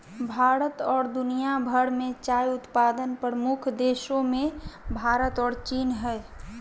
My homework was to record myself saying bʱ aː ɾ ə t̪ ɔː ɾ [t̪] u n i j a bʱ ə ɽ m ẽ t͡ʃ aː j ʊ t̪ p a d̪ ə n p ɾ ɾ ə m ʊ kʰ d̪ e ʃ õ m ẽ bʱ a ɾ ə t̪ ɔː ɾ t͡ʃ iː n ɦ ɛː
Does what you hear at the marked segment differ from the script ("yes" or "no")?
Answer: yes